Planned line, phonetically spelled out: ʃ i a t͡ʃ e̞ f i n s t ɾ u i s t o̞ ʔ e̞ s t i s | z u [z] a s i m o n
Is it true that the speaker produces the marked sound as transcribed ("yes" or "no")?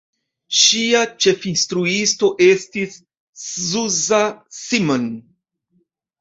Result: yes